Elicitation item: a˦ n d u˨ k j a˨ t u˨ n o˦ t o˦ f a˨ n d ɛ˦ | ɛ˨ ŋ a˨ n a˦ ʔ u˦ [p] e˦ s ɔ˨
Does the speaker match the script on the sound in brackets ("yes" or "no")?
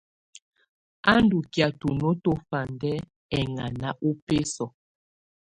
yes